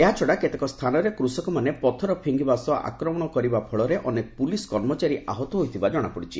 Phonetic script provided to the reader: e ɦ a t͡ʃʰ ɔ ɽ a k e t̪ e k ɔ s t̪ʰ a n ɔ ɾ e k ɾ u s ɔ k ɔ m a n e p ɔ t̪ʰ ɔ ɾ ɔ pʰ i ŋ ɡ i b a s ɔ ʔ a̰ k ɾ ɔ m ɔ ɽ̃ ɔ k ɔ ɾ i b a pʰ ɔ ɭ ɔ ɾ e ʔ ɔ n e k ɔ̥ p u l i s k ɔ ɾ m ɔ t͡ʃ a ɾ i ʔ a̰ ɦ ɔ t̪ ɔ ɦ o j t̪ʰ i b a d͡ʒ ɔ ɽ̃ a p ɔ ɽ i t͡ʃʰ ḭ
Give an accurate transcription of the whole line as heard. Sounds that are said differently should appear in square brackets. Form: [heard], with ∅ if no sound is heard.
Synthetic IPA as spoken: e ɦ a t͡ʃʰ ɔ ɽ a k e t̪ e k ɔ s t̪ʰ a n ɔ ɾ e k ɾ u s ɔ k ɔ m a n e p ɔ t̪ʰ ɔ ɾ ɔ pʰ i ŋ ɡ i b a s ɔ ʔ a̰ k ɾ ɔ m ɔ ɽ̃ ɔ k ɔ ɾ i b a pʰ ɔ ɭ ɔ ɾ e ʔ ɔ n e k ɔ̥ p u l i s k ɔ ɾ m ɔ t͡ʃ a ɾ i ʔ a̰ ɦ ɔ t̪ ɔ ɦ o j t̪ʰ i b a d͡ʒ ɔ ɽ̃ a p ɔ ɽ i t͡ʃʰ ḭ